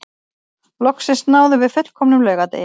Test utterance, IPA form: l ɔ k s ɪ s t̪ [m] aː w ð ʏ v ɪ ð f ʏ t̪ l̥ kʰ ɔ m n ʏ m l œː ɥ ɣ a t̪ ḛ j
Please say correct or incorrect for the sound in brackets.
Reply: incorrect